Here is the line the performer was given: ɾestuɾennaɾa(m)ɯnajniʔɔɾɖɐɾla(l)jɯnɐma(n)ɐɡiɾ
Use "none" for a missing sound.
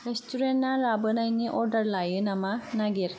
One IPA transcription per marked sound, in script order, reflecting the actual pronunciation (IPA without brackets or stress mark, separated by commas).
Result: b, none, n